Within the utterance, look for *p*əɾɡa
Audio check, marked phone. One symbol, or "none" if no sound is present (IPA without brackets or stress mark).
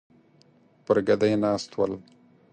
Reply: p